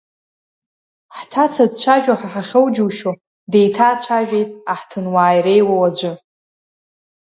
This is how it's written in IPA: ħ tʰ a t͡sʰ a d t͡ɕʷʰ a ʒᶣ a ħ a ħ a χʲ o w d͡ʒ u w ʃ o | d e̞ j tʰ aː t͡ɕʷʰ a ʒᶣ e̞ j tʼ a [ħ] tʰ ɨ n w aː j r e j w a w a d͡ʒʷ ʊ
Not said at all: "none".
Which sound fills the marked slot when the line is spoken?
ħ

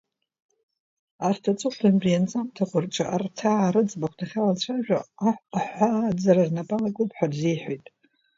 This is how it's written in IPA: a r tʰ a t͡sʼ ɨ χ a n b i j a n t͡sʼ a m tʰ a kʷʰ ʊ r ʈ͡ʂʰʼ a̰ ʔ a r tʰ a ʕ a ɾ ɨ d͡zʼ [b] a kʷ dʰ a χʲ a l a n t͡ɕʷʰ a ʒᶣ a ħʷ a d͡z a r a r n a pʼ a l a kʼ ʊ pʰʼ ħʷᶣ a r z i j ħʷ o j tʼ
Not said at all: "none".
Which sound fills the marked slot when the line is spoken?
b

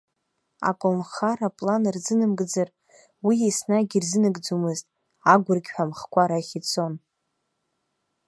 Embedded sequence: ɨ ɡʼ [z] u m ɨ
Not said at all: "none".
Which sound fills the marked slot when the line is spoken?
d͡z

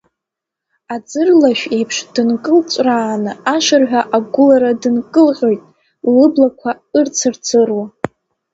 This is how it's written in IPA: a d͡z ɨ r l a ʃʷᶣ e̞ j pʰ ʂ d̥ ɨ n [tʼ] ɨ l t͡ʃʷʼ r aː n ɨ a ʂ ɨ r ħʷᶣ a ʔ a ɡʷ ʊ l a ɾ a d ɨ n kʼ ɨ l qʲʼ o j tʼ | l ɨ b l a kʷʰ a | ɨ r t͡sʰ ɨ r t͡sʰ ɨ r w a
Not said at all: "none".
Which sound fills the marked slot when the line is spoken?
kʼ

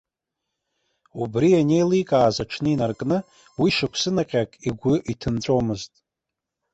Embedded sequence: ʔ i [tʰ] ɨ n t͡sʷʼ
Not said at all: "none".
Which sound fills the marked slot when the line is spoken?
tʰ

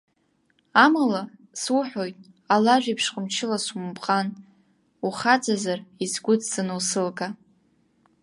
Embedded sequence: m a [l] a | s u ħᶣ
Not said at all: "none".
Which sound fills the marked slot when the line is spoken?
l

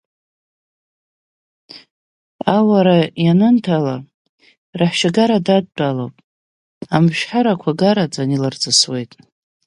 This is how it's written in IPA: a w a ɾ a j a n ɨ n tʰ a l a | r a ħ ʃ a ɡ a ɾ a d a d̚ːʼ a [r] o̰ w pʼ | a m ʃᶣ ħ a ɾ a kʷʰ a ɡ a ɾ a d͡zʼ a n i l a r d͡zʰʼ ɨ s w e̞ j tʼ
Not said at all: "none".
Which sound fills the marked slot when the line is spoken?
l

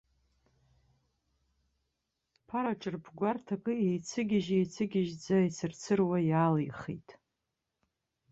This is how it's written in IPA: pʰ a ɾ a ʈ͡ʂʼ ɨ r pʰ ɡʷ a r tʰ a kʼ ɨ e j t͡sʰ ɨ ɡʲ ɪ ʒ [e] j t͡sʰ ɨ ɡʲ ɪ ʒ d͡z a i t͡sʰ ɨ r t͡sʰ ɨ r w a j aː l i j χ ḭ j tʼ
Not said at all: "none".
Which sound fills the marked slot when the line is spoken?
e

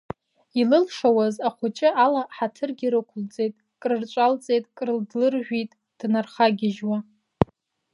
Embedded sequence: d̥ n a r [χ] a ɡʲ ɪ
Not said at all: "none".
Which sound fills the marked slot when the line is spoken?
χ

